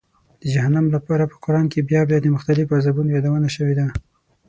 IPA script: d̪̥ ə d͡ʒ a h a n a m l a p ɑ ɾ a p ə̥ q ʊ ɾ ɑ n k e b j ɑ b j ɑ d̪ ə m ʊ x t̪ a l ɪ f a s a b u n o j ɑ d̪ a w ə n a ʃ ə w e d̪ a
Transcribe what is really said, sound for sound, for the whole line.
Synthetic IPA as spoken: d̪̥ ə d͡ʒ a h a n a m l a p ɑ ɾ a p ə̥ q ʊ ɾ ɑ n k e b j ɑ b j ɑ d̪ ə m ʊ x t̪ a l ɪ f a z a b u n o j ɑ d̪ a w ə n a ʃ ə w e d̪ a